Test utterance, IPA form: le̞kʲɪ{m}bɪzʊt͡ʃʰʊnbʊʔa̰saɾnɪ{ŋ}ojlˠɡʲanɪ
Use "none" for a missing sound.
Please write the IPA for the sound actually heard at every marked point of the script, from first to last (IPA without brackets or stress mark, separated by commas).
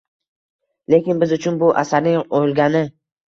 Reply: n, ŋ